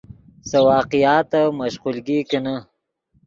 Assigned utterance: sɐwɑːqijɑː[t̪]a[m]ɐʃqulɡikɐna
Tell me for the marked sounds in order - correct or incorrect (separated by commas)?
correct, correct